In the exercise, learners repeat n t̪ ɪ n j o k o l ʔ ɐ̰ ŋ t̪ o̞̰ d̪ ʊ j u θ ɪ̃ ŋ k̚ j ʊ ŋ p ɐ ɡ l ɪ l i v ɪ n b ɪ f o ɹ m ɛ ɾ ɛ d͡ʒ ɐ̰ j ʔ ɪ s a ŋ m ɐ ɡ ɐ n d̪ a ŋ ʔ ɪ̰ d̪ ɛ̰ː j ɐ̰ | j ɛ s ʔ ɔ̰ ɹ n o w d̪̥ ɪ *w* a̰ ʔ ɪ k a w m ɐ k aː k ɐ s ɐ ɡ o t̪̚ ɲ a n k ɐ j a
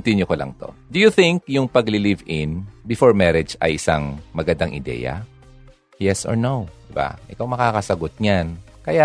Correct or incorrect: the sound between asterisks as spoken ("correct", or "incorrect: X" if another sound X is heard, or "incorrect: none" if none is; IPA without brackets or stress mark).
incorrect: b